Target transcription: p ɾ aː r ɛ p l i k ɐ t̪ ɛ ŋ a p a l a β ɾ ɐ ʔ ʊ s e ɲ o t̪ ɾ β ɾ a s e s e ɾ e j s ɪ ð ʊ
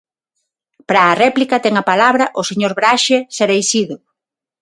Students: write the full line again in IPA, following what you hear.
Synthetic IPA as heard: p ɾ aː r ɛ p l i k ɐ t̪ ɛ ŋ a p a l a β ɾ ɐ ʔ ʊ s e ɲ o ɾ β ɾ a ʃ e s e ɾ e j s i ð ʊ